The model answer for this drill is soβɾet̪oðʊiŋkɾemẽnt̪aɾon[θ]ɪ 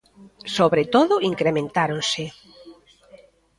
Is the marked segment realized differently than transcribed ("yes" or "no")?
yes